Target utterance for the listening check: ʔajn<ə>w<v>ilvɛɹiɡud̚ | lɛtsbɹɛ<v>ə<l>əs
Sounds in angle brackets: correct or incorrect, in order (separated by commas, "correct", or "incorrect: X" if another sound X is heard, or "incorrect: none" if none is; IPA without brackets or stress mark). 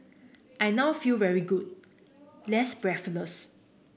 incorrect: a, incorrect: f, incorrect: f, correct